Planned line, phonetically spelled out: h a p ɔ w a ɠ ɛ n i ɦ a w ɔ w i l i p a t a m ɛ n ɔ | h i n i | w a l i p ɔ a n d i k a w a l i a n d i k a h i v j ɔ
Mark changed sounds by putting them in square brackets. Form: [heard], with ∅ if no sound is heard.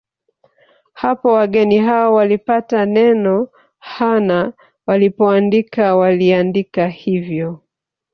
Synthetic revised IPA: h a p ɔ w a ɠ ɛ n i ɦ a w ɔ w [a] l i p a t a [n] ɛ n ɔ | h [a] n [a] | w a l i p ɔ a n d i k a w a l i a n d i k a h i v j ɔ